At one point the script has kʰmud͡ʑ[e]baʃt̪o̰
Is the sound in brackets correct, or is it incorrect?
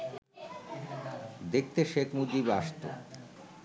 incorrect